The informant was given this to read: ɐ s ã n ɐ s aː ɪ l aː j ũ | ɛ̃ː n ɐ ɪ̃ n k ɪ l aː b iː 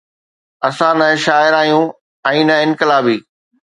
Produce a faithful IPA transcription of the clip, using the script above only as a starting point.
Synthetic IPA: ɐ s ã n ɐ ʃ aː ɪ ɾ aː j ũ | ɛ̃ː n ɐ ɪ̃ n k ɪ l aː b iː